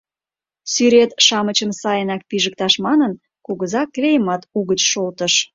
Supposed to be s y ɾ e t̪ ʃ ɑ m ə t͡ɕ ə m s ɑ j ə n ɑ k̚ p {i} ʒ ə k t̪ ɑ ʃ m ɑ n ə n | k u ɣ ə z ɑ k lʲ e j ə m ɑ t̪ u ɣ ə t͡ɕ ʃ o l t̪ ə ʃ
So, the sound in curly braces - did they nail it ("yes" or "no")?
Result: yes